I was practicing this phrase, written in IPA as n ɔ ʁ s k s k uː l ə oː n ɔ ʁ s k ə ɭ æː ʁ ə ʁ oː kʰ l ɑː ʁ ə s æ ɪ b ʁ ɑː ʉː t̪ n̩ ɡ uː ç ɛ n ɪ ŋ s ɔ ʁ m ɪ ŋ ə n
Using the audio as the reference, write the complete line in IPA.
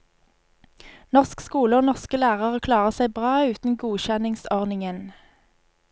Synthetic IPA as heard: n ɔ ʁ s k s k uː l ə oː n ɔ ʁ s k ə l æː ʁ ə ʁ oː kʰ l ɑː ʁ ə s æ ɪ b ʁ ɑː ʉː t̪ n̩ ɡ uː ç ɛ n ɪ ŋ s ɔ ʁ n ɪ ŋ ə n

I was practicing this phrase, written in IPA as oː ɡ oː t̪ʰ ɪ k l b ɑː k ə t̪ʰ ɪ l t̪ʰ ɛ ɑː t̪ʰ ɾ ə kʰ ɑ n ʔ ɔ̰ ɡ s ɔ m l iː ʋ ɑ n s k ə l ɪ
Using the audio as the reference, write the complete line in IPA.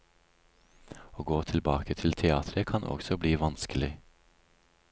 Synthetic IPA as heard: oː ɡ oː t̪ʰ ɪ l b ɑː k ə t̪ʰ ɪ l t̪ʰ ɛ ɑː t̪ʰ ɾ ə kʰ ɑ n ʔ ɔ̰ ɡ s ɔ b l iː ʋ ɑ n s k ə l ɪ

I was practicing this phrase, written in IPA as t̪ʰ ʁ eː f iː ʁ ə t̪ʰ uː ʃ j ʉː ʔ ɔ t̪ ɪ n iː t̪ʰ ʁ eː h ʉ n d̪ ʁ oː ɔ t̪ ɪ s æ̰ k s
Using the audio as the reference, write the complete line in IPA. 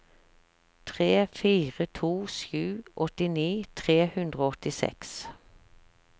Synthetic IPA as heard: t̪ʰ ʁ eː f iː ʁ ə t̪ʰ uː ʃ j ʉː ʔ ɔ t̪ ɪ n iː t̪ʰ ʁ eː h ʉ n d̪ ʁ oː ɔ t̪ ɪ s ɛ̰ k s

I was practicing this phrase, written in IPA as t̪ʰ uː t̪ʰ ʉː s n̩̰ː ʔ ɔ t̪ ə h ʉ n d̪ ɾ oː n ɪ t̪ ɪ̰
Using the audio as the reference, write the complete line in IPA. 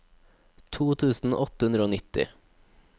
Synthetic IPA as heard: t̪ʰ uː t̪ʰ ʉː s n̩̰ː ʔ ɔ t̪ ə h ʉ n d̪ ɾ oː n ɪ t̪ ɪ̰

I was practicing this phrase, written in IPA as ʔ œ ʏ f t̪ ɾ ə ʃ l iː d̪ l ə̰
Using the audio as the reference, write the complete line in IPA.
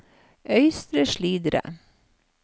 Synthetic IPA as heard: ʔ œ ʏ s t̪ ɾ ə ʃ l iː d̪ ɾ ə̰

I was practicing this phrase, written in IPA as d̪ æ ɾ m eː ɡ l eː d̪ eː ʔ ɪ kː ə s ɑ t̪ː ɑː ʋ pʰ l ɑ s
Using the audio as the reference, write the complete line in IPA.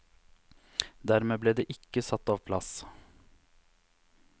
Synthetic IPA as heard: d̪ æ ɾ m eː b l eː d̪ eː ʔ ɪ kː ə s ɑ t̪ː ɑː ʋ pʰ l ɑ s

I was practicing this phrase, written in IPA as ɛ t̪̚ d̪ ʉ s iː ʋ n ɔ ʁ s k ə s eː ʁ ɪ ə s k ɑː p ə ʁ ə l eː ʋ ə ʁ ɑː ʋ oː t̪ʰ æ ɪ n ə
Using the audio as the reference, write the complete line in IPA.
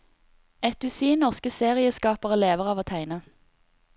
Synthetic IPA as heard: ɛ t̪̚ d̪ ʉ s iː n ɔ ʁ s k ə s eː ʁ ɪ ə s k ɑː p ə ʁ ə l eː ʋ ə ʁ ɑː ʋ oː t̪ʰ æ ɪ n ə

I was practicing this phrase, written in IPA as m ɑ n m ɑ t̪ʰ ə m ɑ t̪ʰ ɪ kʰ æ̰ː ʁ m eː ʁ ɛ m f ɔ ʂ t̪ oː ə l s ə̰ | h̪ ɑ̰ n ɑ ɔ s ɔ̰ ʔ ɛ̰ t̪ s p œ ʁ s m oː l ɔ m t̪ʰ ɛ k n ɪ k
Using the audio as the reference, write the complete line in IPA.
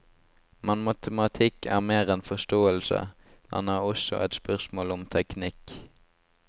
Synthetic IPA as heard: m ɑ n m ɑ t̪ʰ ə m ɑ t̪ʰ ɪ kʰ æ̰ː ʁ m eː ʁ ɛ n f ɔ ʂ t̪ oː ə l s ə̰ | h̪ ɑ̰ n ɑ ɔ s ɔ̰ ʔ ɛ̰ t̪ s p œ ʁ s m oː l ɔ m t̪ʰ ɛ k n ɪ k

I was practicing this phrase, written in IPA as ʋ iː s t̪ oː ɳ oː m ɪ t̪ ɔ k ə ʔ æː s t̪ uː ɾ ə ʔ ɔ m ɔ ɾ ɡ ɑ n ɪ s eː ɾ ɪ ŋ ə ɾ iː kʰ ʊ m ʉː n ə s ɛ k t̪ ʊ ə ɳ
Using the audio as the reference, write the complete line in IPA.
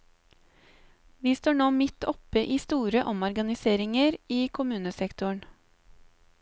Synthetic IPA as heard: ʋ iː s t̪ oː ɳ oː m ɪ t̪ ɔ p ə ʔ iː s t̪ uː ɾ ə ʔ ɔ m ɔ ɾ ɡ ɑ n ɪ s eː ɾ ɪ ŋ ə ɾ iː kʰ ʊ m ʉː n ə s ɛ k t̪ ʊ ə ɳ

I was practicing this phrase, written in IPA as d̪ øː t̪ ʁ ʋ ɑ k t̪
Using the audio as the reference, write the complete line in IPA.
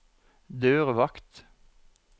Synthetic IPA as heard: d̪ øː ʁ ʋ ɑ k t̪

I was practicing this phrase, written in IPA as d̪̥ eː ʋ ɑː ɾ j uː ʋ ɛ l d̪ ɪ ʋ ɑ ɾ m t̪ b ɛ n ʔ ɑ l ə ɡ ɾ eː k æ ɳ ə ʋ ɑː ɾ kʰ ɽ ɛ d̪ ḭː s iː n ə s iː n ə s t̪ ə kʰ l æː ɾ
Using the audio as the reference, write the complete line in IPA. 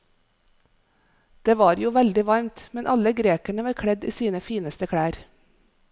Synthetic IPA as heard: d̪̥ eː ʋ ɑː ɾ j uː ʋ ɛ l d̪ ɪ ʋ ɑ ɾ m t̪ m ɛ n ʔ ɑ l ə ɡ ɾ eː k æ ɳ ə ʋ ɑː ɾ kʰ ɽ ɛ d̪ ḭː s iː n ə f iː n ə s t̪ ə kʰ ɽ æː ɾ

